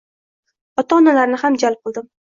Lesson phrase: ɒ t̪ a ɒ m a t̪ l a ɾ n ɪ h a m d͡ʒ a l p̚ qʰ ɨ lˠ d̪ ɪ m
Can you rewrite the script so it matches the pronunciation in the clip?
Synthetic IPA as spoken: ɒ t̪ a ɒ n a l a ɾ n ɪ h a m d͡ʒ a l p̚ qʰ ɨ lˠ d̪ ɪ m